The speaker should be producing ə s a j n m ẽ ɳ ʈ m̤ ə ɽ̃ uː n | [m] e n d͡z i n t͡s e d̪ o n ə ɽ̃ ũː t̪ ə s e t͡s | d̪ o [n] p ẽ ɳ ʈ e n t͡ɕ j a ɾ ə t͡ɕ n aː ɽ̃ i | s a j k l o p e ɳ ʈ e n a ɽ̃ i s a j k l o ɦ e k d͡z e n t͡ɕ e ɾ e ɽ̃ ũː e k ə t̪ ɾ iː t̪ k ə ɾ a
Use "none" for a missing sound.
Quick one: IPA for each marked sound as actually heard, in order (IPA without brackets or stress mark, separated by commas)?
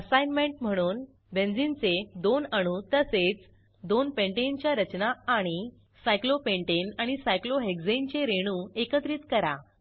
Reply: b, n